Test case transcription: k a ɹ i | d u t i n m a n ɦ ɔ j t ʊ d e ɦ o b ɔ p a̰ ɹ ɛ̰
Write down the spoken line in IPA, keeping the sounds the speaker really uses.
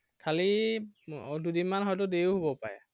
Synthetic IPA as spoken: kʰ a l i | d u d i n m a n ɦ ɔ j t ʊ d e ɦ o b ɔ p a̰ ɹ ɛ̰